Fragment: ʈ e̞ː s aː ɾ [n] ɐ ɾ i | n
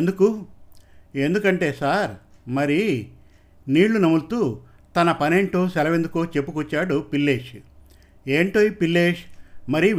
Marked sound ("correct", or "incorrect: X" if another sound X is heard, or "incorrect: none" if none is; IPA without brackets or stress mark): incorrect: m